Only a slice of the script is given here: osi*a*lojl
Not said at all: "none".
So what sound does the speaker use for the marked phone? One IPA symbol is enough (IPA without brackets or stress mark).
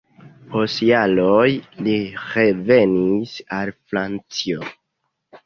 a